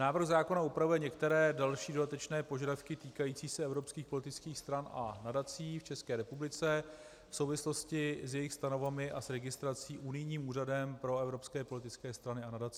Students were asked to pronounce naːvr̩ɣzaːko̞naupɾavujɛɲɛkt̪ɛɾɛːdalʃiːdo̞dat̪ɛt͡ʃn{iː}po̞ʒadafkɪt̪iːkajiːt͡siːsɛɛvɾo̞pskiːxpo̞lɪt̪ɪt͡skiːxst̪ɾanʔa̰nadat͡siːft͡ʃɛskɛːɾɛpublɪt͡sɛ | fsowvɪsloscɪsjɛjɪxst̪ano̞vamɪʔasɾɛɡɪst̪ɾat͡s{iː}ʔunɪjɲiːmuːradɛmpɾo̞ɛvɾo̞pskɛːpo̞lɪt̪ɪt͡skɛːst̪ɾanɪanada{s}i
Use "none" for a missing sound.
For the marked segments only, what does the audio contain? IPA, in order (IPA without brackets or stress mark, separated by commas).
ɛː, iː, t͡s